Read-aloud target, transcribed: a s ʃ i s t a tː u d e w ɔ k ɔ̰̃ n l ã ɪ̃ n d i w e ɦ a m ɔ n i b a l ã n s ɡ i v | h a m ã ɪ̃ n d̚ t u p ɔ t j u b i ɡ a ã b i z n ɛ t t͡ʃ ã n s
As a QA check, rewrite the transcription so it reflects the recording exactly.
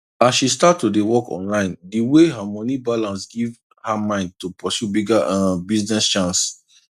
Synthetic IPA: a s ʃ i s t a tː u d e w ɔ k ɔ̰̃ n l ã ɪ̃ n d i w e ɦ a m ɔ n i b a l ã n s ɡ i v | h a m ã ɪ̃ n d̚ t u p ɔ s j u b i ɡ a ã b i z n ɛ s t͡ʃ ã n s